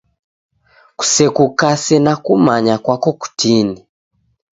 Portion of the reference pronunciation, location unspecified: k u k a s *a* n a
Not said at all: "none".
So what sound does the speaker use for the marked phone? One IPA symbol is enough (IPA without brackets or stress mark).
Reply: ɛ